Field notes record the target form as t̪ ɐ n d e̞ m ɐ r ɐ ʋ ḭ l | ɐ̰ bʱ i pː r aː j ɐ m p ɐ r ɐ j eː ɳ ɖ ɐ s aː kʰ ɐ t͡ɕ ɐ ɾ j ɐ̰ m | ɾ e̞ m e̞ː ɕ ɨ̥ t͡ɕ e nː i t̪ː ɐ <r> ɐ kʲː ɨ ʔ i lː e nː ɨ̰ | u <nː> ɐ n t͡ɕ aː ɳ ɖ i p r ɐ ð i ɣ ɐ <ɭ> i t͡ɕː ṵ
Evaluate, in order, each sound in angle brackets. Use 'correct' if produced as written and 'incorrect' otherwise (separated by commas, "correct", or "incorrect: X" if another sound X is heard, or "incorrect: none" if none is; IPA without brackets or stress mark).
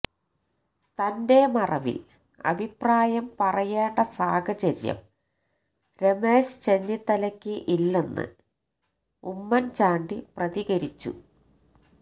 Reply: incorrect: l, incorrect: mː, incorrect: ɾ